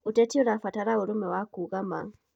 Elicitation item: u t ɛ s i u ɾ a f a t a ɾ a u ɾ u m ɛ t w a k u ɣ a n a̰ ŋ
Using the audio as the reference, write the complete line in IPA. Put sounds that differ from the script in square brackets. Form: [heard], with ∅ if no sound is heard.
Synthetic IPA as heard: u t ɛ [t] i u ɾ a f a t a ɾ a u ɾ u m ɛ [∅] w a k u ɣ a [m] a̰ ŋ